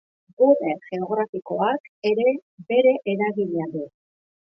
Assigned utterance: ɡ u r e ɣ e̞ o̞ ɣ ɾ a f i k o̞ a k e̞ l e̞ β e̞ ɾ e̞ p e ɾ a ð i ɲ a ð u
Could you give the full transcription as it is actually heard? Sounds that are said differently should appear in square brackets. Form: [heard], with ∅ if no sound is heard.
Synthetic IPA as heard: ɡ u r e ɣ e̞ o̞ ɣ ɾ a f i k o̞ a k e̞ [ɾ] e̞ [b] e̞ ɾ e̞ [ʔ] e ɾ a [ɣ] i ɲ a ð u